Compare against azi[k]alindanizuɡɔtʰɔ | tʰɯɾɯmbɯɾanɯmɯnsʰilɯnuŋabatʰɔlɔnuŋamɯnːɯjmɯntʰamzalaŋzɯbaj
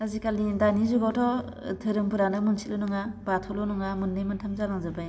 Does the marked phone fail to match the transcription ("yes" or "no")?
no